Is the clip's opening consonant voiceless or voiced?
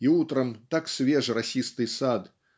voiceless